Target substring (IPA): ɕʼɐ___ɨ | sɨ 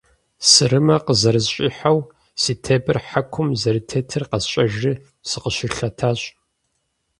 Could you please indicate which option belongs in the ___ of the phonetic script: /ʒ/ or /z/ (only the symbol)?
ʒ